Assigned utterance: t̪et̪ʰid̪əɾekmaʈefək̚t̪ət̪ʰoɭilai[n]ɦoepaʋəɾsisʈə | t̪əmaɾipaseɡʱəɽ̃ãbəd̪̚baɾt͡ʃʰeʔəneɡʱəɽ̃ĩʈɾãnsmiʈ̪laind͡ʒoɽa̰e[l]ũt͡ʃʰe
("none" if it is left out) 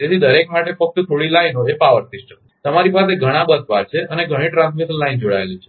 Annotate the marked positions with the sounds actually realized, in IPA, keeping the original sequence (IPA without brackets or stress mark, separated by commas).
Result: n, l